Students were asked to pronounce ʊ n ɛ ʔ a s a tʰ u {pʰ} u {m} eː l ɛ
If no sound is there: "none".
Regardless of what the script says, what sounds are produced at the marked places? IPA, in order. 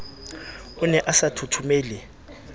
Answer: tʰ, m

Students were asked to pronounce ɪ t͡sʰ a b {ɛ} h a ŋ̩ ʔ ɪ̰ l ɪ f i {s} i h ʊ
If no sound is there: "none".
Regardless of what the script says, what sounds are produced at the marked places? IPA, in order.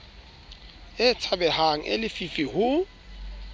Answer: ɛ, f

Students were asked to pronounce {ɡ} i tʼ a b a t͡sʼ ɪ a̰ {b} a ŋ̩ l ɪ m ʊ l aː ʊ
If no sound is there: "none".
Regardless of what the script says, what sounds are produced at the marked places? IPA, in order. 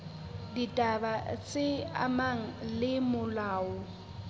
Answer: d, m

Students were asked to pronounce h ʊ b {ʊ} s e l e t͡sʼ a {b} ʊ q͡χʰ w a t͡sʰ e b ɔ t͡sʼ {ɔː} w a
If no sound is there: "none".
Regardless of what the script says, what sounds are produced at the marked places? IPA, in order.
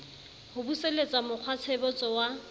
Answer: u, m, ɔ

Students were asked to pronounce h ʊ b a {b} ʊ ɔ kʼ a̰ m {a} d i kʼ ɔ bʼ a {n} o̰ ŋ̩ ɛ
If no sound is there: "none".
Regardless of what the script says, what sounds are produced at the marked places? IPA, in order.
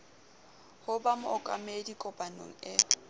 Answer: m, e, n

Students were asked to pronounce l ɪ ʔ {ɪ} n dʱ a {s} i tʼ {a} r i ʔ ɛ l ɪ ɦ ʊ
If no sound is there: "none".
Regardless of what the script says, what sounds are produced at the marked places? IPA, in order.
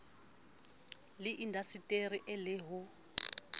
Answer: i, s, e

